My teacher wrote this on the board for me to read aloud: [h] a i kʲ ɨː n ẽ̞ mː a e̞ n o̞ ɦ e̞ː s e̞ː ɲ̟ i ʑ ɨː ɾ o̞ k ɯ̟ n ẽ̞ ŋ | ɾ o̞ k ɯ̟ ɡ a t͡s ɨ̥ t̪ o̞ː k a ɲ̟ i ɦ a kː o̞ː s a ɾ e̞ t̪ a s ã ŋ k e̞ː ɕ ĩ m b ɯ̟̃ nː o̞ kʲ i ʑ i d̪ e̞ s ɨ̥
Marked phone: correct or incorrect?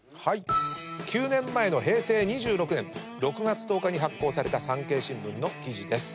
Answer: correct